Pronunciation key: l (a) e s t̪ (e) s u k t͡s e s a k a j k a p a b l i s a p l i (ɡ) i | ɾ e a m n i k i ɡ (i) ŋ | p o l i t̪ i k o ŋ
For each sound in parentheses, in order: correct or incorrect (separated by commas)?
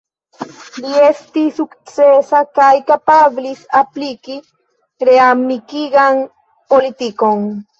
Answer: incorrect, incorrect, incorrect, incorrect